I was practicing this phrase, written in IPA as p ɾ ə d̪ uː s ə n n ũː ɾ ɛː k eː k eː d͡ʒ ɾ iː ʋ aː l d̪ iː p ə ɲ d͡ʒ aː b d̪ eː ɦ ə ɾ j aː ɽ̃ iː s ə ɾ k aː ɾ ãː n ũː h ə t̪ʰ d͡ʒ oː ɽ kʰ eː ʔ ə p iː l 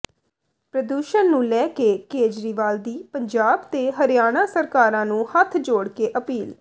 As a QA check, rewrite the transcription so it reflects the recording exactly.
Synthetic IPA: p ɾ ə d̪ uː ʃ ə n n ũː l ɛː k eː k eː d͡ʒ ɾ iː ʋ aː l d̪ iː p ə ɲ d͡ʒ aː b t̪ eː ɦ ə ɾ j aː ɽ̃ aː s ə ɾ k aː ɾ ãː n ũː h ə t̪ʰ d͡ʒ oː ɽ k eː ʔ ə p iː l

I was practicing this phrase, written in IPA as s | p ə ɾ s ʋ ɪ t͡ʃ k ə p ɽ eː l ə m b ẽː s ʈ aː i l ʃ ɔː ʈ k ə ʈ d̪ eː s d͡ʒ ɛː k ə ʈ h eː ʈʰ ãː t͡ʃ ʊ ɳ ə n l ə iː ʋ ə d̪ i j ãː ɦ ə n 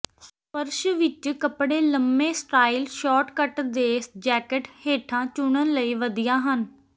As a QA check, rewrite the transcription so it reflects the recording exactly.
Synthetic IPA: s | p ə ɾ ʃ ʋ ɪ t͡ʃ k ə p ɽ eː l ə m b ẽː s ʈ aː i l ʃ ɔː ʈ k ə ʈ d̪ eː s d͡ʒ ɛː k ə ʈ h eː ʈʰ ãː t͡ʃ ʊ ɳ ə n l ə iː ʋ ə d̪ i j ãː ɦ ə n

